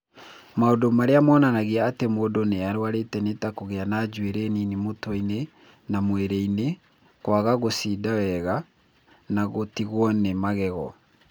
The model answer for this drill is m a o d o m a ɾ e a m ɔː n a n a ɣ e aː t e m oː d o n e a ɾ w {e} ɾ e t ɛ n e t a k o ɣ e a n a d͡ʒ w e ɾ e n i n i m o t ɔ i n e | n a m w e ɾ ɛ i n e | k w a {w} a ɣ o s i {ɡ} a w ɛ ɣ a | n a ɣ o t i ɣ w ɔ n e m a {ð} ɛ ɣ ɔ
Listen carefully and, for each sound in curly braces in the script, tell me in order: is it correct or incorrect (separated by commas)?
incorrect, incorrect, incorrect, incorrect